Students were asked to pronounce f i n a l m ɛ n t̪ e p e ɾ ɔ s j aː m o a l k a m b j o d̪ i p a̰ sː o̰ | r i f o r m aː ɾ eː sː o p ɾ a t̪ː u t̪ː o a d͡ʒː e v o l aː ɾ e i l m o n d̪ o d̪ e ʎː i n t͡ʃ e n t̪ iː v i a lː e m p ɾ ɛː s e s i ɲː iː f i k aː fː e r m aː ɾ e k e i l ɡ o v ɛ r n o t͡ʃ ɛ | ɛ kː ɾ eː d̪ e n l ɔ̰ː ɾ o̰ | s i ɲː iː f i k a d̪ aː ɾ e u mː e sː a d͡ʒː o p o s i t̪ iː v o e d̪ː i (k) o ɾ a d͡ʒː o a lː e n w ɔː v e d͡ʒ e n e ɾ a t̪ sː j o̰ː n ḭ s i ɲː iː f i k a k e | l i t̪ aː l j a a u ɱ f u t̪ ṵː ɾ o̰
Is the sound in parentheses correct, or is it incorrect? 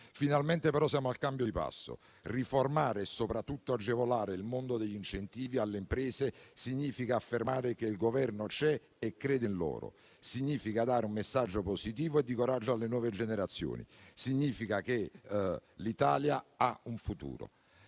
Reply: correct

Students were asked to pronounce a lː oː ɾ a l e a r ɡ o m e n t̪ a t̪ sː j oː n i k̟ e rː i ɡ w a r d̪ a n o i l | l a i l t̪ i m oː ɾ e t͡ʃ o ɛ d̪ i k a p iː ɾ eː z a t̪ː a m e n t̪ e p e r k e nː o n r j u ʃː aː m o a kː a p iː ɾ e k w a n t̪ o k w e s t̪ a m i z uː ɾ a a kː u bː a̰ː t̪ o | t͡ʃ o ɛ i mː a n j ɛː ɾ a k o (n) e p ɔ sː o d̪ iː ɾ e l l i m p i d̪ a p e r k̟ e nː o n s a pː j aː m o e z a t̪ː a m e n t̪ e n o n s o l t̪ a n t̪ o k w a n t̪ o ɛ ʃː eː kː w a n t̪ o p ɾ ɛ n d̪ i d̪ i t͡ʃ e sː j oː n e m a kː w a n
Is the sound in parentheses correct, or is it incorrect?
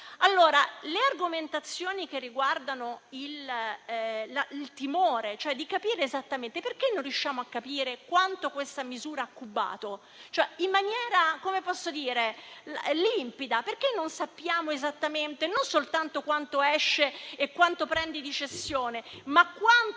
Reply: incorrect: m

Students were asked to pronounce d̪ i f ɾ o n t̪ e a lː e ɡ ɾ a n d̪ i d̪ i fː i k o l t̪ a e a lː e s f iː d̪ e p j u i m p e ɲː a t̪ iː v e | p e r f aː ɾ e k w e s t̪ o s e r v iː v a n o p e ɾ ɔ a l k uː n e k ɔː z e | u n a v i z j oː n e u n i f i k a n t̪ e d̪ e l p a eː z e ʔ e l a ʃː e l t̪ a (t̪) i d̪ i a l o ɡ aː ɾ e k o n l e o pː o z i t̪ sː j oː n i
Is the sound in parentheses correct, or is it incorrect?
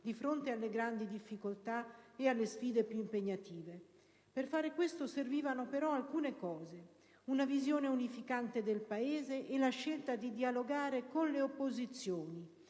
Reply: incorrect: d̪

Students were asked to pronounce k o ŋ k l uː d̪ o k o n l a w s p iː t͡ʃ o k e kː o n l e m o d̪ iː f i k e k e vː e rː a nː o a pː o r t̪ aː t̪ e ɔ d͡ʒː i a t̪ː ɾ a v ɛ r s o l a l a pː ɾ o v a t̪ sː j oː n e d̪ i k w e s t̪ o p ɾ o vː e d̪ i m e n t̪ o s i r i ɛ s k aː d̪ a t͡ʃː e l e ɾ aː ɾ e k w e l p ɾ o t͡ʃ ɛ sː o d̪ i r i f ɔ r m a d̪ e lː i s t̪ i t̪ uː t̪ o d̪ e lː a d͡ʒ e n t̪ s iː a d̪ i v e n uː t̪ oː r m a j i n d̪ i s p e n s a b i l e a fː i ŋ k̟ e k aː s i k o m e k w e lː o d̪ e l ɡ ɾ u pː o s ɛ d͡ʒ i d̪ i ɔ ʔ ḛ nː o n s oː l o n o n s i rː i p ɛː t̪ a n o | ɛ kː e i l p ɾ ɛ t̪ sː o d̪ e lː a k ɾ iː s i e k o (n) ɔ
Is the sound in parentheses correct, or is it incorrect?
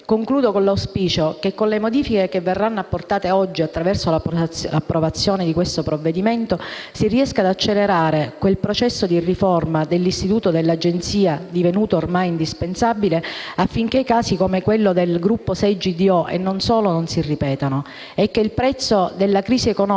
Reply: correct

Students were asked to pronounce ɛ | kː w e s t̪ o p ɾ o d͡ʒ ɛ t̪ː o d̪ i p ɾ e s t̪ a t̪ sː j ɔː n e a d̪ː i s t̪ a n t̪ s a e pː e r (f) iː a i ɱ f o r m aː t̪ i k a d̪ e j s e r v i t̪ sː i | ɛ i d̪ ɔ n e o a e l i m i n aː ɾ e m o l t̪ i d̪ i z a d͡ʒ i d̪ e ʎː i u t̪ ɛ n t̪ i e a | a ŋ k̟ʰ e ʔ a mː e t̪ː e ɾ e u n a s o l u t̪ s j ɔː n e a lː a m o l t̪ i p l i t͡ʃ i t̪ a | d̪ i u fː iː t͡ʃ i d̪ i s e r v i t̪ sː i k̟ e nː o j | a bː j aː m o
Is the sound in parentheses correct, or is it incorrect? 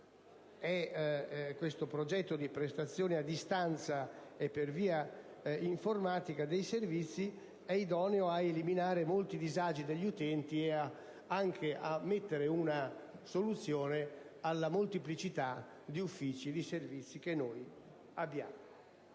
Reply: incorrect: v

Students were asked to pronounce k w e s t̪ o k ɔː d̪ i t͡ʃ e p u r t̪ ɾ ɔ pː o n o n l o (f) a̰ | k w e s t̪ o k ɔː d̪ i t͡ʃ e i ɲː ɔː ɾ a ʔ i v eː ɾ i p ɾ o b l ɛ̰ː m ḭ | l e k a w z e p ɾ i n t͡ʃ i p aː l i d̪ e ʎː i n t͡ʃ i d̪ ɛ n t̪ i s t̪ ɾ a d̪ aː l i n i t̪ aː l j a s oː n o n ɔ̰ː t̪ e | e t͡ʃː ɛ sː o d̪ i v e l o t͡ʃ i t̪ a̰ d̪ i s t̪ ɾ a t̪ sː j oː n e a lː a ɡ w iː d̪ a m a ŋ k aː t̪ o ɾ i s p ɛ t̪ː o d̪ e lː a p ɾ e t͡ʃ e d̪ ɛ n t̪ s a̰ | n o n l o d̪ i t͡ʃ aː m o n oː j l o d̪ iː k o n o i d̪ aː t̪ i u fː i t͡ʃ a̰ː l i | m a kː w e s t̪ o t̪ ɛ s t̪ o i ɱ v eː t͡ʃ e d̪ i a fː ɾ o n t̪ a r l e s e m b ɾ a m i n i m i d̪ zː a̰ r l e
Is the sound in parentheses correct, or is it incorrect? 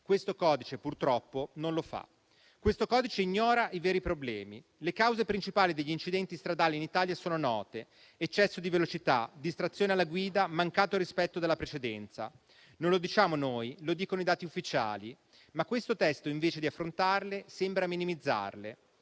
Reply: correct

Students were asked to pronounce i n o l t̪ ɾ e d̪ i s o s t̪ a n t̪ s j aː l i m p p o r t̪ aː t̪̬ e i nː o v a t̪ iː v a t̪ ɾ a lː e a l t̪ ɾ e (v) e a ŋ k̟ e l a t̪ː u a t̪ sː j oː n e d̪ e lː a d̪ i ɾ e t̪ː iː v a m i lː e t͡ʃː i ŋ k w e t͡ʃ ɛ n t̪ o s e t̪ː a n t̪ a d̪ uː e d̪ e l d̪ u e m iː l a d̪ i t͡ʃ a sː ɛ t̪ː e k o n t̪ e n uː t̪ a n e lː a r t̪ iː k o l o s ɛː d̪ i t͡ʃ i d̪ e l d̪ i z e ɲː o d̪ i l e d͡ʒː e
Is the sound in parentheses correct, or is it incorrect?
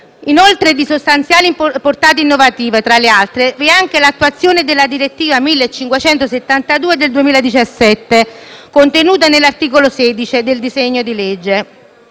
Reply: correct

